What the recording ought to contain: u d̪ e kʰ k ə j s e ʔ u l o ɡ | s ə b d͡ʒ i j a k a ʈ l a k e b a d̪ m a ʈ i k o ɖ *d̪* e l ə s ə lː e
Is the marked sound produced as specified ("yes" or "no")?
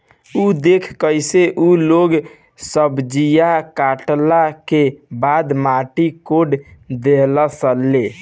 yes